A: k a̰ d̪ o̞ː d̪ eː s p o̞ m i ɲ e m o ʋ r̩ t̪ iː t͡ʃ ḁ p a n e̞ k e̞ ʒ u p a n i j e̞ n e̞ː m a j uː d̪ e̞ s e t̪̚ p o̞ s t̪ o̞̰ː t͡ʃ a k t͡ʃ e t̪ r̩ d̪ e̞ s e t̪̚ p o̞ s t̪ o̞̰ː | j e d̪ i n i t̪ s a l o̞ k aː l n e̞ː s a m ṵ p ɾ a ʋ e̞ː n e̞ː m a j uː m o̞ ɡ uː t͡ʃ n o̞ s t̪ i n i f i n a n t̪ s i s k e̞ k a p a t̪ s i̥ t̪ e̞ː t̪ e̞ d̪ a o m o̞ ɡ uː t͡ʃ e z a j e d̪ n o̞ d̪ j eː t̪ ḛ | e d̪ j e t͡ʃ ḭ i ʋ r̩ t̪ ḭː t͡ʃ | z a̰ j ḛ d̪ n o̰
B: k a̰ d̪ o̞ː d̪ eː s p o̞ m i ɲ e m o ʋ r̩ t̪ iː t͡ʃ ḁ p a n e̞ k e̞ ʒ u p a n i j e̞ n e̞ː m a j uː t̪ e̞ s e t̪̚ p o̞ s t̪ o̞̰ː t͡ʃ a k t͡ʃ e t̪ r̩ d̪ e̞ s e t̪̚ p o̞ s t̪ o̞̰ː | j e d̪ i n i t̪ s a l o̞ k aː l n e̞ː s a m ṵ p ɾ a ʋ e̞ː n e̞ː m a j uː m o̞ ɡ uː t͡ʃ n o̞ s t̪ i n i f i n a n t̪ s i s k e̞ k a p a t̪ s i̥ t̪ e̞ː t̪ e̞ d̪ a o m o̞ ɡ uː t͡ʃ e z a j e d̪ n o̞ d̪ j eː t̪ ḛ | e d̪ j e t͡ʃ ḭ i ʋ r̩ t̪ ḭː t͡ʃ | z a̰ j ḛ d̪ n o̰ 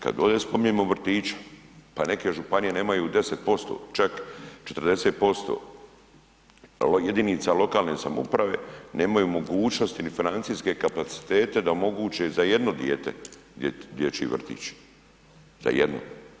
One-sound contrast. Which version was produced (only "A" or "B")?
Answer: A